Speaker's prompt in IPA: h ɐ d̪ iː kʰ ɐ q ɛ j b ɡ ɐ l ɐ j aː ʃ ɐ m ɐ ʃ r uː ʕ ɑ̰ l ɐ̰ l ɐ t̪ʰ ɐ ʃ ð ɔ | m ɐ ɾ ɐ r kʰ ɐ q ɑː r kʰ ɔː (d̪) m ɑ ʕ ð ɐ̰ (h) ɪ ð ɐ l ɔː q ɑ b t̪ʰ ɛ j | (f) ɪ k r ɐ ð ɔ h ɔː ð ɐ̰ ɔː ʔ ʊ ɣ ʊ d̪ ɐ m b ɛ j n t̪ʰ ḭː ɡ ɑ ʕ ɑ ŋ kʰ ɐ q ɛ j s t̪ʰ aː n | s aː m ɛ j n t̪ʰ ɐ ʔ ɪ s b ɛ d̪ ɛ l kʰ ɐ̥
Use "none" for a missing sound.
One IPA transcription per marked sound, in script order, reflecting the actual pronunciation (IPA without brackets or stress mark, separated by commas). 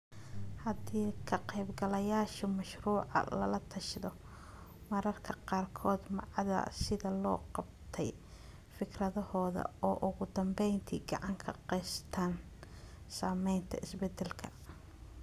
d̪, s, f